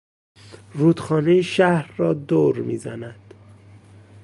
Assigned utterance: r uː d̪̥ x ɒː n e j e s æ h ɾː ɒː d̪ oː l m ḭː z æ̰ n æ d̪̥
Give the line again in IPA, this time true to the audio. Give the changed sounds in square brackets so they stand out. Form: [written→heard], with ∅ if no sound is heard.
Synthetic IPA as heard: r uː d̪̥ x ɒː n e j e [s→ʃ] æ h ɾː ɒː d̪ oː [l→ɾ] m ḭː z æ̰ n æ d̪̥

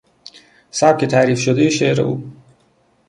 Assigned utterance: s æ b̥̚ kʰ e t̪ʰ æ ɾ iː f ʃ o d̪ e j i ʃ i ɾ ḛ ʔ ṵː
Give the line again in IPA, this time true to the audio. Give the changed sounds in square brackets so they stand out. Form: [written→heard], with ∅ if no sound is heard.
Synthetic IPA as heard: s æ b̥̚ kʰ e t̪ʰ æ ɾ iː f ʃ o d̪ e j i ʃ [i→e] ɾ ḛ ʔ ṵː

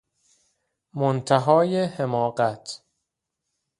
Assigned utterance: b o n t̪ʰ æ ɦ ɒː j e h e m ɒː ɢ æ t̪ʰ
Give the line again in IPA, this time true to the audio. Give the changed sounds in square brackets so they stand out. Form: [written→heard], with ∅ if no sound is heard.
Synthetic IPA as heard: [b→m] o n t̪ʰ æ ɦ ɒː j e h e m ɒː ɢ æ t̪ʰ

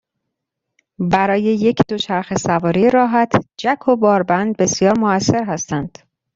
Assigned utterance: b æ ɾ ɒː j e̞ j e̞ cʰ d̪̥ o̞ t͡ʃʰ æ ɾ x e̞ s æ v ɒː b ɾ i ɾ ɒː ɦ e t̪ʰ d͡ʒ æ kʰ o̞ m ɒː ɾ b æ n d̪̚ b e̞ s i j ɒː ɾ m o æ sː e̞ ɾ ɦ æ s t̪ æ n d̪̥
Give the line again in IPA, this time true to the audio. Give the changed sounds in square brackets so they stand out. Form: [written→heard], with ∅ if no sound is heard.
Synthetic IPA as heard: b æ ɾ ɒː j e̞ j e̞ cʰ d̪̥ o̞ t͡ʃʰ æ ɾ x e̞ s æ v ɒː [b→∅] ɾ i ɾ ɒː ɦ [e→æ] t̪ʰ d͡ʒ æ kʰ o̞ [m→b] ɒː ɾ b æ n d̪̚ b e̞ s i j ɒː ɾ m o æ sː e̞ ɾ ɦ æ s t̪ æ n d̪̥

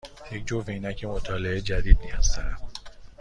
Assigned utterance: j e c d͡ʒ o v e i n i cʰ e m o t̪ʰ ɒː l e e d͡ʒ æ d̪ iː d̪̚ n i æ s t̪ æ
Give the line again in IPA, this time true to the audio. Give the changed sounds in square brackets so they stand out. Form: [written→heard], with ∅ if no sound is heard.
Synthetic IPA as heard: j e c d͡ʒ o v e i n [i→æ] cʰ e m o t̪ʰ ɒː l e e d͡ʒ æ d̪ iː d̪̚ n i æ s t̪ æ

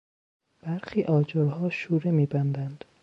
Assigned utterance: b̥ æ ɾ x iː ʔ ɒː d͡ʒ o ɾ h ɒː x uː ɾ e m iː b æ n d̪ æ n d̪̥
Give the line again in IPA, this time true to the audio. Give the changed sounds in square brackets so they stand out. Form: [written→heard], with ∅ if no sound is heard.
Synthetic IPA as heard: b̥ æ ɾ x iː ʔ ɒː d͡ʒ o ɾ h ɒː [x→ʃ] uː ɾ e m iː b æ n d̪ æ n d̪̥

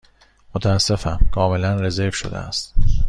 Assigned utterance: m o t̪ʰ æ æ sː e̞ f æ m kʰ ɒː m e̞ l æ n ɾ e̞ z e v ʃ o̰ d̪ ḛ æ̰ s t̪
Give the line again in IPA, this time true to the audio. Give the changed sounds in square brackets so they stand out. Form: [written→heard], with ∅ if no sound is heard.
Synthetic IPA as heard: m o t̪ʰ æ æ sː e̞ f æ m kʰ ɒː m e̞ l æ n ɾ e̞ z e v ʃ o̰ d̪ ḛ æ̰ s t̪

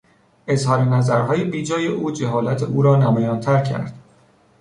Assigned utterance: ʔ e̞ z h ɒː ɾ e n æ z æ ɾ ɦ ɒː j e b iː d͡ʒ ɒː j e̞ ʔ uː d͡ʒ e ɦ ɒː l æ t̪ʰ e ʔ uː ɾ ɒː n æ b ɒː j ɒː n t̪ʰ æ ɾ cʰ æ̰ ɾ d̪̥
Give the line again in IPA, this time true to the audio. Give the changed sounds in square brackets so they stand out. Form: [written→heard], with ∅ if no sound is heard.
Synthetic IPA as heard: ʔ e̞ z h ɒː ɾ e n æ z æ ɾ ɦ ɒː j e b iː d͡ʒ ɒː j e̞ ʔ uː d͡ʒ e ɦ ɒː l æ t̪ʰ e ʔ uː ɾ ɒː n æ [b→m] ɒː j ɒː n t̪ʰ æ ɾ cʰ æ̰ ɾ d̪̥

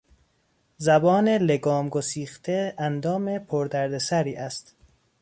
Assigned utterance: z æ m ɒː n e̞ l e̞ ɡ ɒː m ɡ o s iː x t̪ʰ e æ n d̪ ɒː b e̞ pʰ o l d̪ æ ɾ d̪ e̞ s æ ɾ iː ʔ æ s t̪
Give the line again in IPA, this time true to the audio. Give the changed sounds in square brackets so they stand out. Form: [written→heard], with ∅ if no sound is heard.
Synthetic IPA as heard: z æ [m→b] ɒː n e̞ l e̞ ɡ ɒː m ɡ o s iː x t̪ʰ e æ n d̪ ɒː [b→m] e̞ pʰ o [l→ɾ] d̪ æ ɾ d̪ e̞ s æ ɾ iː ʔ æ s t̪

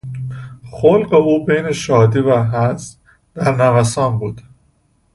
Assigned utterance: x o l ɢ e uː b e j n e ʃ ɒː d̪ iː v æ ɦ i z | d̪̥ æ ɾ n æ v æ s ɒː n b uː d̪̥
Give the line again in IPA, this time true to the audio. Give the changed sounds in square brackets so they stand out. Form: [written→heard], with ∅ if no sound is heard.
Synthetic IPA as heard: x o l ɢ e uː b e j n e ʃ ɒː d̪ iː v æ ɦ [i→æ] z | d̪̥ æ ɾ n æ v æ s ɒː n b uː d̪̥

